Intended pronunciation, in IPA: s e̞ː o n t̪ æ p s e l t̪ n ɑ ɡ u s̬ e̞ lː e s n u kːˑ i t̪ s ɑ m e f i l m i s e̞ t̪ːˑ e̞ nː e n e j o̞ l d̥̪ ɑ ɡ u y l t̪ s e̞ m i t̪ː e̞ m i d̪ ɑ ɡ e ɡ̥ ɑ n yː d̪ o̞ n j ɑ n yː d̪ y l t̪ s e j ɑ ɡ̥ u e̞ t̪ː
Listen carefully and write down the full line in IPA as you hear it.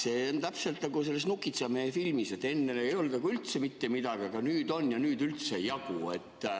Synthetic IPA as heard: s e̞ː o n t̪ æ p s e l t̪ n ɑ ɡ u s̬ e̞ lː e s n u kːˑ i t̪ s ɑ m e f i l m i s e̞ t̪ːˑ e̞ nː e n e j o̞ l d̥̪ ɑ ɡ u y l t̪ s e̞ m i t̪ː e̞ m i d̪ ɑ ɡ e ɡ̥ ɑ n yː d̪ o̞ n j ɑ n yː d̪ y l t̪ s e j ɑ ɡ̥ u e̞ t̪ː